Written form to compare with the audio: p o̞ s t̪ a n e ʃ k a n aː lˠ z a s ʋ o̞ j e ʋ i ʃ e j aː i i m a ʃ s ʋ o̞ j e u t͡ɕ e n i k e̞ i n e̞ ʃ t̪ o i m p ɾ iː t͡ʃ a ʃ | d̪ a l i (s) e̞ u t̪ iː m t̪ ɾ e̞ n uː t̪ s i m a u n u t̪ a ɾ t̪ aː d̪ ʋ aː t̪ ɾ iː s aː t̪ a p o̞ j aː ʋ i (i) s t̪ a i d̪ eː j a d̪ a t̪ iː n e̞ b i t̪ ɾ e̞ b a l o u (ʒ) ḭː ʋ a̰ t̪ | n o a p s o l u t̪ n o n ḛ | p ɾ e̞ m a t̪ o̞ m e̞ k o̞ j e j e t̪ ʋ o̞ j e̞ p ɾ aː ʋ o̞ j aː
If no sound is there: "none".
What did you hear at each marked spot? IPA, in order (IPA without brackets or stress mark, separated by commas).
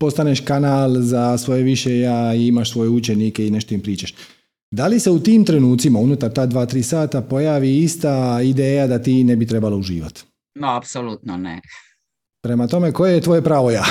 s, i, ʒ